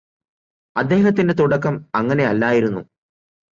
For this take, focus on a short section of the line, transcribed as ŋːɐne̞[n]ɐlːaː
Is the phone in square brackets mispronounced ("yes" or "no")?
yes